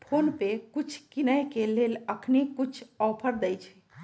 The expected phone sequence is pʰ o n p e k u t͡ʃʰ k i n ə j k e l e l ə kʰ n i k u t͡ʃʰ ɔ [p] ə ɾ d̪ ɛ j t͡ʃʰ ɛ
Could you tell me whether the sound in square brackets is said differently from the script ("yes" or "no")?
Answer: yes